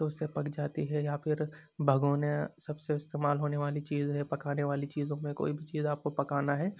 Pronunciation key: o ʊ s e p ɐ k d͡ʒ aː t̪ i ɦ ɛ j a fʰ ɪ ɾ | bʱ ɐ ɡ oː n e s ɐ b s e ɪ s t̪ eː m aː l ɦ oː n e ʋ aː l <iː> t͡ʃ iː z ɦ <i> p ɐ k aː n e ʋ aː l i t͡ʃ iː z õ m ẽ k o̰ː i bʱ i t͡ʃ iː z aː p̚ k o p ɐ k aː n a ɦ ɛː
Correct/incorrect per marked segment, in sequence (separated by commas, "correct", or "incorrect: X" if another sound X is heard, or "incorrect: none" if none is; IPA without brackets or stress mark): incorrect: i, incorrect: ɛ